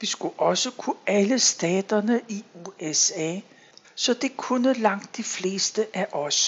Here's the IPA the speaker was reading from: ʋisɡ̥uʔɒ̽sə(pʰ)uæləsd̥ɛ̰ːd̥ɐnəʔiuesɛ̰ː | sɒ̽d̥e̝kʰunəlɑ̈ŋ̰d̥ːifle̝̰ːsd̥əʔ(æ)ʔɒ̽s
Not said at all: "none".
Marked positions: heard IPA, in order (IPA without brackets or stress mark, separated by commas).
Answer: kʰ, æ